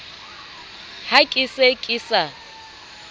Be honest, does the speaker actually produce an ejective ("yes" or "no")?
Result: yes